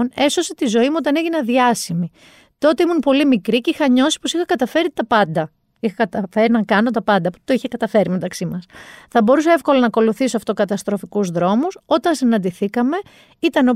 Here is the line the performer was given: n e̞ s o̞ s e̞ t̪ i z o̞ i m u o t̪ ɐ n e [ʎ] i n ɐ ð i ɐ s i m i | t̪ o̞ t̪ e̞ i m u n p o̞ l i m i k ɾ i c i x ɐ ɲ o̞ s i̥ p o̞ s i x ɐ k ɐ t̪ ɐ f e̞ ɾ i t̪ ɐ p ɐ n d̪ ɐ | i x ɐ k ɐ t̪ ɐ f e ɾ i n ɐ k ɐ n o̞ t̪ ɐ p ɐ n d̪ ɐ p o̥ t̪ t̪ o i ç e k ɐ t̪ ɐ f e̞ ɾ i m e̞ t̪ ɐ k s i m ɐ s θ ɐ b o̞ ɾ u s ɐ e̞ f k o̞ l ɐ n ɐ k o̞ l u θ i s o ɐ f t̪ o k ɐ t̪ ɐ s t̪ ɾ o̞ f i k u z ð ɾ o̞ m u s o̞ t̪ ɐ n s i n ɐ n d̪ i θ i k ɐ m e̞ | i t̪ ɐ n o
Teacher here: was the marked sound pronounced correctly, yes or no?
no